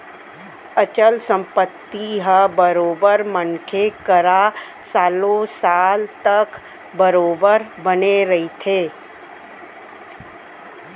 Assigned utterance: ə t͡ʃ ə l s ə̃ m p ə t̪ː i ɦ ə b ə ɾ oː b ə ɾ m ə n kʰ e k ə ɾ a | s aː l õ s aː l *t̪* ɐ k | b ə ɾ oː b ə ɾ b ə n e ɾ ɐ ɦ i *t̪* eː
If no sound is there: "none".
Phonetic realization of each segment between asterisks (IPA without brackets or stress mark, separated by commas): t̪, t̪ʰ